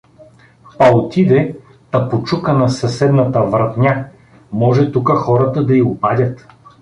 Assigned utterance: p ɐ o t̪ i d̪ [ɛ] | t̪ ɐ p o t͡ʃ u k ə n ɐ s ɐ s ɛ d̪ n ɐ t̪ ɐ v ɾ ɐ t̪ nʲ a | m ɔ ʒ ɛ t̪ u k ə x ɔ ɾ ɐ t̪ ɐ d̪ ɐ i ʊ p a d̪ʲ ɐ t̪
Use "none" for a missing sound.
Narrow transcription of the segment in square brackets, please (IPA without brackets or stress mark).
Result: ɛ